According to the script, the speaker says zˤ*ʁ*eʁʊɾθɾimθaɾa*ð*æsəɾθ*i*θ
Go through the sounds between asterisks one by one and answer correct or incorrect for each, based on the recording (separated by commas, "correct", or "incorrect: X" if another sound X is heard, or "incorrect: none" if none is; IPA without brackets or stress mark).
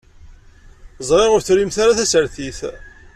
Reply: correct, incorrect: θ, correct